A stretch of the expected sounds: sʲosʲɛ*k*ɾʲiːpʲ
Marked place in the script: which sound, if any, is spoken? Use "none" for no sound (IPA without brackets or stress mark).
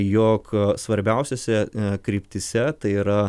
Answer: k